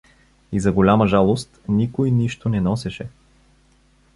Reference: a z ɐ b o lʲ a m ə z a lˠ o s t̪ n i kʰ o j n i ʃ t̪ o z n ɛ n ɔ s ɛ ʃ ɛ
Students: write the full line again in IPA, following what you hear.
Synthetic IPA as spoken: i z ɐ ɡ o lʲ a m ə ʒ a lˠ o s t̪ n i k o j n i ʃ t̪ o n ɛ n ɔ s ɛ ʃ ɛ